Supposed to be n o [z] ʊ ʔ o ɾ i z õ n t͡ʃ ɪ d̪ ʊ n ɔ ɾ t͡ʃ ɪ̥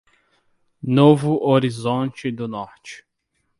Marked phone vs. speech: incorrect: v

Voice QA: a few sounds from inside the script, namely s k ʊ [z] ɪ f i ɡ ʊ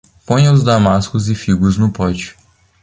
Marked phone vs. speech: correct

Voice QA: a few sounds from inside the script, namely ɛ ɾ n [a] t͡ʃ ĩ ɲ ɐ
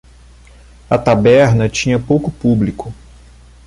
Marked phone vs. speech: incorrect: ɐ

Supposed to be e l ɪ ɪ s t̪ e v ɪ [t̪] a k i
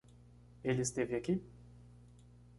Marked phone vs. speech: incorrect: none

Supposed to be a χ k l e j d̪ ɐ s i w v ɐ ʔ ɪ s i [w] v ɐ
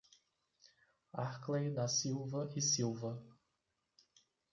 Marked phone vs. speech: correct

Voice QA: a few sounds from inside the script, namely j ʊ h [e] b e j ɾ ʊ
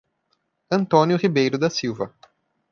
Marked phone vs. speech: incorrect: i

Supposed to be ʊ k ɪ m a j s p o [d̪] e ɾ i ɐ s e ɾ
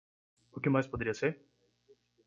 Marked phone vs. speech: correct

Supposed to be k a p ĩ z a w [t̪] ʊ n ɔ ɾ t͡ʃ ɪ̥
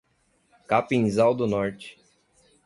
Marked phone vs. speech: incorrect: d̪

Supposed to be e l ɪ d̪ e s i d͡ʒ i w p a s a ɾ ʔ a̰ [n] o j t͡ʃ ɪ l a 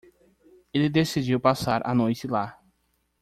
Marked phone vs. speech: correct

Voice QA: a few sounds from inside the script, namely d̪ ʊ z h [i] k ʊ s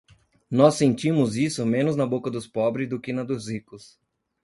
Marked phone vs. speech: correct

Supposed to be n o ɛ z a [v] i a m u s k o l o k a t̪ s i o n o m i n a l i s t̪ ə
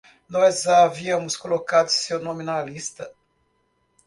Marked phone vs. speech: correct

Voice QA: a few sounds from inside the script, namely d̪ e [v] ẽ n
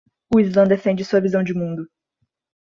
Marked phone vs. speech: incorrect: f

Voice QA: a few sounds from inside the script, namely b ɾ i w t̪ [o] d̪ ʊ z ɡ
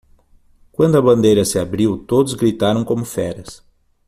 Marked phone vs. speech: correct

